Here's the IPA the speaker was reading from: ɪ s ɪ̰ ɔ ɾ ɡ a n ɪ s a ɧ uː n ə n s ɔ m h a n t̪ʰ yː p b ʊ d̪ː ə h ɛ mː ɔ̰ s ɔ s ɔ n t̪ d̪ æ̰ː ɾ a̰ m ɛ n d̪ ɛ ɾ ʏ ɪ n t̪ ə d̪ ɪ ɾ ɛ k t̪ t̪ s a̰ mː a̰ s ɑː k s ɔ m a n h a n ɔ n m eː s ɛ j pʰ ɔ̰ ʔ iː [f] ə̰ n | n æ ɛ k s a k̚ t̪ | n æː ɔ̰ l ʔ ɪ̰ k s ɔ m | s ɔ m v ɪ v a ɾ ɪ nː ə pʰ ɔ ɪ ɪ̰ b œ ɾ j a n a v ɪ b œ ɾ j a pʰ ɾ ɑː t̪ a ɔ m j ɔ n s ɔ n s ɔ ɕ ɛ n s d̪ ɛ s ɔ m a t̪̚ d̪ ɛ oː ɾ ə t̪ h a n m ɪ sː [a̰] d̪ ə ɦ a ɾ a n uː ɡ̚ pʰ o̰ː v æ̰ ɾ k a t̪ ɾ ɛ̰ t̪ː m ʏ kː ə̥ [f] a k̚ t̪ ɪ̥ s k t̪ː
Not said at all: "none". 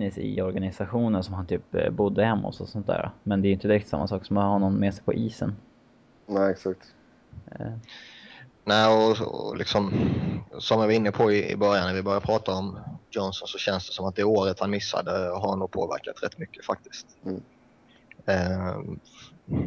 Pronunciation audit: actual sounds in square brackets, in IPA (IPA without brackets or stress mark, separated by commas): s, a̰, f